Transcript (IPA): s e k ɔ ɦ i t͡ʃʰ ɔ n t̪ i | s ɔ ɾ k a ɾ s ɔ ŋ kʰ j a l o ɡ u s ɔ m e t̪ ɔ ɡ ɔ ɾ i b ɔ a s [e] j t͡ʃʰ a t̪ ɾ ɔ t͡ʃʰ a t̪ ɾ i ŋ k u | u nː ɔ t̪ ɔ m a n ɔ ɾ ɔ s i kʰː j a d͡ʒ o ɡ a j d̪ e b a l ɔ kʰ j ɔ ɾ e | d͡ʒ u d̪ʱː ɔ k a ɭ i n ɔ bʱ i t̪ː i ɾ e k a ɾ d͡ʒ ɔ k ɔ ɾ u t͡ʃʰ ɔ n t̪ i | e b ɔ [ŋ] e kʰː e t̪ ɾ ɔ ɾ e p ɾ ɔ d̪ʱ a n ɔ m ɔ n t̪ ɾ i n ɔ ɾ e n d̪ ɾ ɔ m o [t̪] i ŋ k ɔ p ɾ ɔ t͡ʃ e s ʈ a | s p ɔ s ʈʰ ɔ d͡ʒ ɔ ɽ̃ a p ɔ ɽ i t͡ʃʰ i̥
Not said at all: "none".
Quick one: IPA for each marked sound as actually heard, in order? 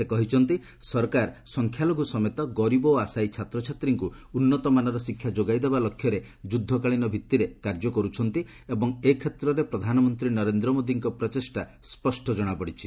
a, ŋ, d̪

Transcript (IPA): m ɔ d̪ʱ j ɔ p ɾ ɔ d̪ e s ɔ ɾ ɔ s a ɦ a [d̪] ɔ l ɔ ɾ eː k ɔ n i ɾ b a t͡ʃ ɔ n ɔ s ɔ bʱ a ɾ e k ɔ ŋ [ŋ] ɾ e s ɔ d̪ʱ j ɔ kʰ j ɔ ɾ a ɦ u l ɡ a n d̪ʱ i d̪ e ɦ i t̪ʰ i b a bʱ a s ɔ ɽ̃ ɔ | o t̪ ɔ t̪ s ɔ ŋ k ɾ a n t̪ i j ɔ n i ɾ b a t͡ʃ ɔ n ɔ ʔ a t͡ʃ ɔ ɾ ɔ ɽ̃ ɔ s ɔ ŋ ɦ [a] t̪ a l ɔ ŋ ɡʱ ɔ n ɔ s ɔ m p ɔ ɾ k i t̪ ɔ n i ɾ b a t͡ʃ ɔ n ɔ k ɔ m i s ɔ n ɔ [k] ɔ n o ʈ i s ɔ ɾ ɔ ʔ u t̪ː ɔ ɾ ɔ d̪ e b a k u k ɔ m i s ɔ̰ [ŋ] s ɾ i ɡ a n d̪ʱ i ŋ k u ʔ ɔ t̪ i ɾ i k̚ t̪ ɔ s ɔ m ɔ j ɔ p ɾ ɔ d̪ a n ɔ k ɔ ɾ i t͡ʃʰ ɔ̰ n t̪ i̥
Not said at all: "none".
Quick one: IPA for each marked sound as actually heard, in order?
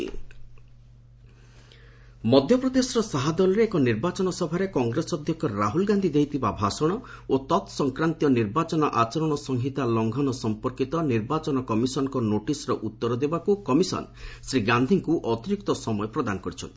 d̪, ɡ, i, k, n

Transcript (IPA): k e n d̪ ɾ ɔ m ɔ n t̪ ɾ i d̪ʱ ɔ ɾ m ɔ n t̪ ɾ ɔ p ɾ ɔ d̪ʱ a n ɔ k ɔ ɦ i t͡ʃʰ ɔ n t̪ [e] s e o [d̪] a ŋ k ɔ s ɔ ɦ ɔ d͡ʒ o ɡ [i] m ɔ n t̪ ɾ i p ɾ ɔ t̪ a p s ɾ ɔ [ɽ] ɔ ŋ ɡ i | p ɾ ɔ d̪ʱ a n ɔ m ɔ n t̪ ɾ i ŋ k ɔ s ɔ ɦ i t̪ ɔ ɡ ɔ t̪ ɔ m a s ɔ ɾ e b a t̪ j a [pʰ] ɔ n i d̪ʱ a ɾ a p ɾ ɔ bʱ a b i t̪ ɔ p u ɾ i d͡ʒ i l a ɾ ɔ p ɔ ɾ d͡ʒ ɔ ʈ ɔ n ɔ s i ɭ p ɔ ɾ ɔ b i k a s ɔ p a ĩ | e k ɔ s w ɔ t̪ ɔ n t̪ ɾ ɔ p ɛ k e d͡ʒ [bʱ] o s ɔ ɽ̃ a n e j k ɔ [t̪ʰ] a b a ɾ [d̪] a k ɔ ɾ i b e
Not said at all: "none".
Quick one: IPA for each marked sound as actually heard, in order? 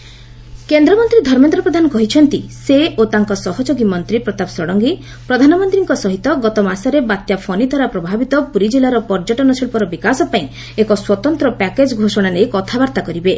i, t̪, i, ɽ, pʰ, ɡʱ, t̪ʰ, t̪

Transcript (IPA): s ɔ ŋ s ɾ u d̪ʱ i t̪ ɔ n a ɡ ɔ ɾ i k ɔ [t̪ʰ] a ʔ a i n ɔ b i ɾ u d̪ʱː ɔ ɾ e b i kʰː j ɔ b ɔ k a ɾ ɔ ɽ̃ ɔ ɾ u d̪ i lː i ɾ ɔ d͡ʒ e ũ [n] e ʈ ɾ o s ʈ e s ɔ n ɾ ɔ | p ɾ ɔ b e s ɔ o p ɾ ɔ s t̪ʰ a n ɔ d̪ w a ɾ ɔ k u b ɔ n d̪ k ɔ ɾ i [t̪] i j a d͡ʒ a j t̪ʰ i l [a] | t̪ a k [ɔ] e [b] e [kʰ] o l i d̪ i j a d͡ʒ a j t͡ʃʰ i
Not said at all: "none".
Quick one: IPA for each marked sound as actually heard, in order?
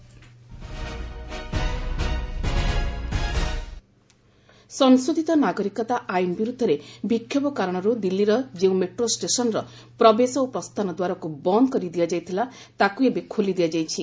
t̪, m, d̪, a, u, b, kʰ

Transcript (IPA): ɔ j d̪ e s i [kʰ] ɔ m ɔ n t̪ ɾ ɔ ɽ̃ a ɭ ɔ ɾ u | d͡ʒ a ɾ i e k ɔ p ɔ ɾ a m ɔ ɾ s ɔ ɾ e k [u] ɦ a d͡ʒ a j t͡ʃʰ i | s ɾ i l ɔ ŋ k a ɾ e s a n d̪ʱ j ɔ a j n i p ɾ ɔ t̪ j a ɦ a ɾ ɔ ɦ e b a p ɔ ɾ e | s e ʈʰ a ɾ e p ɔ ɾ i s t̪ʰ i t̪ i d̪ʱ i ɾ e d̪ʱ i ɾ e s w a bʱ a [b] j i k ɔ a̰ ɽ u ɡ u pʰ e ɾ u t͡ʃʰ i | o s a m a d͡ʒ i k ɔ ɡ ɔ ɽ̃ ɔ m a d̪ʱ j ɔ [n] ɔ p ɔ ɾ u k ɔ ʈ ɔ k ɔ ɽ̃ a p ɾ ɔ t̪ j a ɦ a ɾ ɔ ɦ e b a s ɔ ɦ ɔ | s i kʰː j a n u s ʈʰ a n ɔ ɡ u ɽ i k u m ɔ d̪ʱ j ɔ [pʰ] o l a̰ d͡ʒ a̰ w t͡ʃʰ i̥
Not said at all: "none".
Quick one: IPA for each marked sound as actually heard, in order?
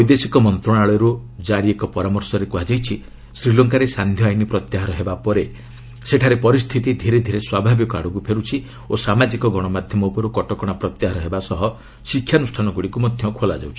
k, u, b, m, kʰ

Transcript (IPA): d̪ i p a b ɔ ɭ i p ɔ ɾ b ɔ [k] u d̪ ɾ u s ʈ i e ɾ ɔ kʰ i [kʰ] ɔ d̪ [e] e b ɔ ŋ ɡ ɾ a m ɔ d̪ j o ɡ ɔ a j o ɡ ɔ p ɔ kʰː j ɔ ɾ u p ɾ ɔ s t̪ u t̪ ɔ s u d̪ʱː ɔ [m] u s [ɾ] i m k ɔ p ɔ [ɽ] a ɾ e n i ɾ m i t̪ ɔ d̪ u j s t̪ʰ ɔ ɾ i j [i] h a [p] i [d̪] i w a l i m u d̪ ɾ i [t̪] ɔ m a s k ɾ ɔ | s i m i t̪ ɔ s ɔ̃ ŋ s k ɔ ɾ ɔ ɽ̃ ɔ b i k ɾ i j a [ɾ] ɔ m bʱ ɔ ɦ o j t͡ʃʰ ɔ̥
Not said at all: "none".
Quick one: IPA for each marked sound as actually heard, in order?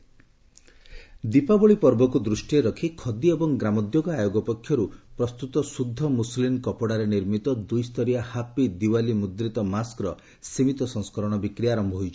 k, kʰ, i, m, l, ɽ, a, p, d̪, t̪, ɾ

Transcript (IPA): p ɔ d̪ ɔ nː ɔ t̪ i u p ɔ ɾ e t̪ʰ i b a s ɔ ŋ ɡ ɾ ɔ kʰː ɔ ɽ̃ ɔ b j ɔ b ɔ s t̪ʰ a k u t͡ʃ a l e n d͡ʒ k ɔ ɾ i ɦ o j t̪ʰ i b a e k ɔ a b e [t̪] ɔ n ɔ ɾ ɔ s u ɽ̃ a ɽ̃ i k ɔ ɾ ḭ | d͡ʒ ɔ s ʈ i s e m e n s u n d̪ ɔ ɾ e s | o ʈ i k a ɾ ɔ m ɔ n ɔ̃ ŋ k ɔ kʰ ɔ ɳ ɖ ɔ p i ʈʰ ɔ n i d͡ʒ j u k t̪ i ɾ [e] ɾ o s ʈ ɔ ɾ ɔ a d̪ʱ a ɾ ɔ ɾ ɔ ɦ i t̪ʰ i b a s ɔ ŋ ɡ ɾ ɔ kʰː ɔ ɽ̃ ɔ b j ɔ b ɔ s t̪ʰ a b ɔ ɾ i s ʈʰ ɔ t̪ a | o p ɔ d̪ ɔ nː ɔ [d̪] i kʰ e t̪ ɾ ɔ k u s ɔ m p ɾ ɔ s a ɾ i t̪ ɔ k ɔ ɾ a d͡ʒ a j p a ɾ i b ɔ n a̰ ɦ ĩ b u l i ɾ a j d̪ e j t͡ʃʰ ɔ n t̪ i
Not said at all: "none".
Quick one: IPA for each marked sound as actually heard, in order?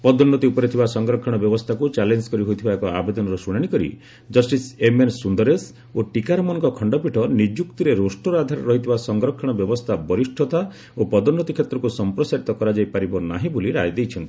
d̪, e, t̪

